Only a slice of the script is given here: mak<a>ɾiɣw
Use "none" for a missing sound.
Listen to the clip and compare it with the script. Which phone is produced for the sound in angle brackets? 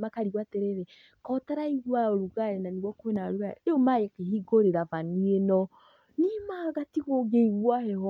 a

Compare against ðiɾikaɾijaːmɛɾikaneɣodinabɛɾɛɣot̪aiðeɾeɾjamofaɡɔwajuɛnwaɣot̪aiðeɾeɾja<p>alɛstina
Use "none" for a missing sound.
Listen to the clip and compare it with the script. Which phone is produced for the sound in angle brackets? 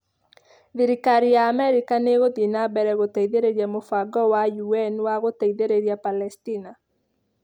p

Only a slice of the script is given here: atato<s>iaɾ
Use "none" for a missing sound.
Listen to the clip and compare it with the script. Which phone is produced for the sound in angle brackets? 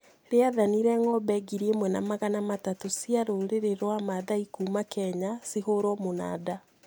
s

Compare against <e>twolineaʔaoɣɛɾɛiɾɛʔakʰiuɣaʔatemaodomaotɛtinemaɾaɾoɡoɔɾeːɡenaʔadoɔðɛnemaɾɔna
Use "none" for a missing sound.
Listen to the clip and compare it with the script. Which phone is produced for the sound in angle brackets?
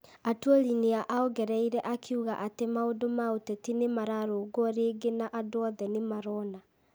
a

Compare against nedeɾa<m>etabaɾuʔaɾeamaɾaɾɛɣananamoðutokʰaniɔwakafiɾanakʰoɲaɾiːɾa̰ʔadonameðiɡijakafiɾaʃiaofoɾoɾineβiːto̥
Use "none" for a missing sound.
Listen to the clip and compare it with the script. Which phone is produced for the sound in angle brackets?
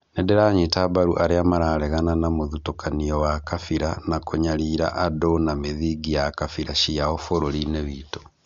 ɲ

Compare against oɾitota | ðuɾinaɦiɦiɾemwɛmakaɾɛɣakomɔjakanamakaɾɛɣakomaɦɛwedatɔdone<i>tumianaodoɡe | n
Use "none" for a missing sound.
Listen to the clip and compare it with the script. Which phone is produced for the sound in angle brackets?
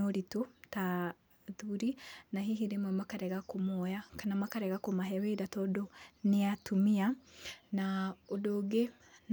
a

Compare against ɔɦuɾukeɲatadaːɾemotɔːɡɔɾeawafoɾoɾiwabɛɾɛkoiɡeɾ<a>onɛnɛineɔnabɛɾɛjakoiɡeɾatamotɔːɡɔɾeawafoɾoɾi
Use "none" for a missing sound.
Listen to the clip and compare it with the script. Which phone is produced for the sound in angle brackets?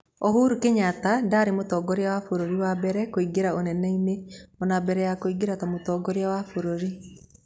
a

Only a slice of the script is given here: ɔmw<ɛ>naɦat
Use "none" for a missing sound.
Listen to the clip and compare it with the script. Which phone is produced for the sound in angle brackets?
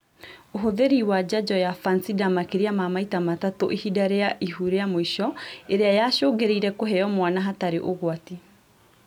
a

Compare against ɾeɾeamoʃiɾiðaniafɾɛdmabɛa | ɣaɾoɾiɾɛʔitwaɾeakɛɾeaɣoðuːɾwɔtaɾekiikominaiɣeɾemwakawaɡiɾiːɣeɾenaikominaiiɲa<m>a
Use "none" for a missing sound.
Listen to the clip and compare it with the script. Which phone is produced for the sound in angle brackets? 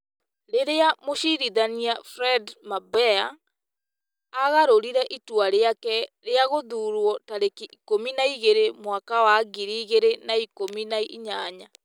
ɲ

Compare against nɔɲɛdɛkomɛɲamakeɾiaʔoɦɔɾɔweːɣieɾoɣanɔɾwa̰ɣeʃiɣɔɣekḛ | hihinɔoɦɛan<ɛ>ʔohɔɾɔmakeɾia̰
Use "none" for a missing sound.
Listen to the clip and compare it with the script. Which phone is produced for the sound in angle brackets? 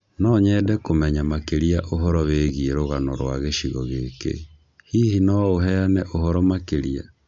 ɛ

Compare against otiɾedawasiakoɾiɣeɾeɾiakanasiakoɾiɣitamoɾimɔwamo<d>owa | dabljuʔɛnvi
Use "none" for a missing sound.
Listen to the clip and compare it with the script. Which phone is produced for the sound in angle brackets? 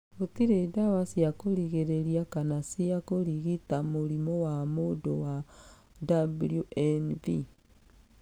d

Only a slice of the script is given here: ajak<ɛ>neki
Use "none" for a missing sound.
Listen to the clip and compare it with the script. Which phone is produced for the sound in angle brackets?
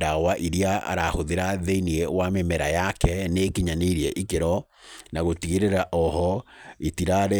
ɛ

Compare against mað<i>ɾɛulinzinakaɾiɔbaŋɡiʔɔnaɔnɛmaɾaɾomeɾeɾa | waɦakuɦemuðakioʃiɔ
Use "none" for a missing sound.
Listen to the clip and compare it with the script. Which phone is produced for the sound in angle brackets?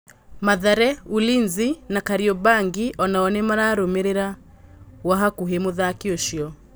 a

